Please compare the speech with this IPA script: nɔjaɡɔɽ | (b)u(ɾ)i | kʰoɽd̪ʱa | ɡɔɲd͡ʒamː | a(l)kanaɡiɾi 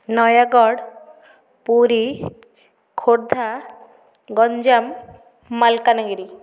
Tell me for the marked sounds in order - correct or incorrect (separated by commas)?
incorrect, correct, correct